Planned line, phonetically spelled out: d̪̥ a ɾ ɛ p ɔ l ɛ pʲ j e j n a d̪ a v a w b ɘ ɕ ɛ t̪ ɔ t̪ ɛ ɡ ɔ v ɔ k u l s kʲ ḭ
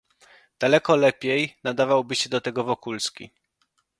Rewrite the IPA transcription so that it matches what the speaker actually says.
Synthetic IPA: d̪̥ a l ɛ k ɔ l ɛ pʲ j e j n a d̪ a v a w b ɘ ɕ ɛ d̪ ɔ t̪ ɛ ɡ ɔ v ɔ k u l s kʲ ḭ

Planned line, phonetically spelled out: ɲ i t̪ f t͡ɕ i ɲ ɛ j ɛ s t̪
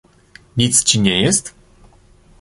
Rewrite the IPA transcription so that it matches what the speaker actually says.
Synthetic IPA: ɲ i t̪ s t͡ɕ i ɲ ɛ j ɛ s t̪

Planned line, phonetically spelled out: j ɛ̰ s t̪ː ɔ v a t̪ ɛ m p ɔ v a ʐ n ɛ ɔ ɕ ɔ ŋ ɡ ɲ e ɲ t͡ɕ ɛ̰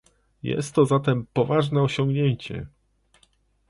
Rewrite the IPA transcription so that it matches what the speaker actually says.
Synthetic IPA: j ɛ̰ s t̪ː ɔ z a t̪ ɛ m p ɔ v a ʐ n ɛ ɔ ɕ ɔ ŋ ɡ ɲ e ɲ t͡ɕ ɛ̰

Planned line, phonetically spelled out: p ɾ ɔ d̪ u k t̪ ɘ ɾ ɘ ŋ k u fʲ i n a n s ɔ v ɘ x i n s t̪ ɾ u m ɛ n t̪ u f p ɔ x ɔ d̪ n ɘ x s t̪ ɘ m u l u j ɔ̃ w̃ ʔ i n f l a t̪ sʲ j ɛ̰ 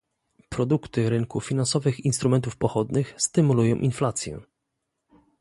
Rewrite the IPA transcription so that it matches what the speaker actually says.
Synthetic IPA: p ɾ ɔ d̪ u k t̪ ɘ ɾ ɘ ŋ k u fʲ i n a n s ɔ v ɘ x i n s t̪ ɾ u m ɛ n t̪ u f p ɔ x ɔ d̪ n ɘ x s t̪ ɘ m u l u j ɔ̃ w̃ ʔ i n f l a t̪ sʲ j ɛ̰

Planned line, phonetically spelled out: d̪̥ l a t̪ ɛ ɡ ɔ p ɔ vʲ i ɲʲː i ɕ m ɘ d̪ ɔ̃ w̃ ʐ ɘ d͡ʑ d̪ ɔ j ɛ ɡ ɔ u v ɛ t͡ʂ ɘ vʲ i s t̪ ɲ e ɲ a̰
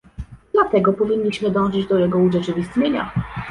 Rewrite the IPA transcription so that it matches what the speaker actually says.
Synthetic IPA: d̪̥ l a t̪ ɛ ɡ ɔ p ɔ vʲ i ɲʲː i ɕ m ɘ d̪ ɔ̃ w̃ ʐ ɘ d͡ʑ d̪ ɔ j ɛ ɡ ɔ u ʐ ɛ t͡ʂ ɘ vʲ i s t̪ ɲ e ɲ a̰

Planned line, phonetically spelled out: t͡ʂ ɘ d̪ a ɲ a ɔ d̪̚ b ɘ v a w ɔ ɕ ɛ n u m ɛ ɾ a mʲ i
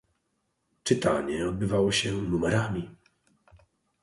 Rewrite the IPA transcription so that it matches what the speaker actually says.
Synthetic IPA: t͡ʂ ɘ t̪ a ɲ ɛ ɔ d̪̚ b ɘ v a w ɔ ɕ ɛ n u m ɛ ɾ a mʲ i

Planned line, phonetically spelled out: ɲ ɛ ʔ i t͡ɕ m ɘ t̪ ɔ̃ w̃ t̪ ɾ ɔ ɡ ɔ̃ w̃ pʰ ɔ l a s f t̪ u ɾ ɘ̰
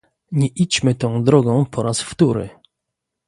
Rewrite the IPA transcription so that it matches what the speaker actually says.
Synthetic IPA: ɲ ɛ ʔ i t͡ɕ m ɘ t̪ ɔ̃ w̃ d̪ ɾ ɔ ɡ ɔ̃ w̃ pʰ ɔ ɾ a s f t̪ u ɾ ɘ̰

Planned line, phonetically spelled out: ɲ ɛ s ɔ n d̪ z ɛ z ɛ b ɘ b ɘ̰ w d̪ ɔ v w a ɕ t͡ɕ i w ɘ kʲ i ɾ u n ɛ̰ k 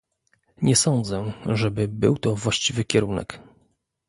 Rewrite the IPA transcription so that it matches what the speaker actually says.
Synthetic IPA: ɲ ɛ s ɔ n d̪ z ɛ ʐ ɛ b ɘ b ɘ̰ w t̪ ɔ v w a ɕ t͡ɕ i v ɘ kʲ ɛ ɾ u n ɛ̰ k

